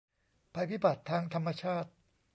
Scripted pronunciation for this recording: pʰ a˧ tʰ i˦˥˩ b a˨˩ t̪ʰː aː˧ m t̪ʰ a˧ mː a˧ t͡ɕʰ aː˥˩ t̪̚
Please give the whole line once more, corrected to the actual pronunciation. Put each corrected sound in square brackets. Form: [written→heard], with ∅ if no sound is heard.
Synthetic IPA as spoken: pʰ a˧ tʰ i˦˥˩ b a˨˩ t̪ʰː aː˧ [m→ŋ] t̪ʰ a˧ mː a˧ t͡ɕʰ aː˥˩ t̪̚